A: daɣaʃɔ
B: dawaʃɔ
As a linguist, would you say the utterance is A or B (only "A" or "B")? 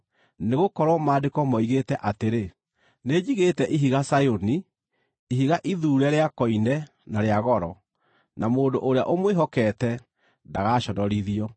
A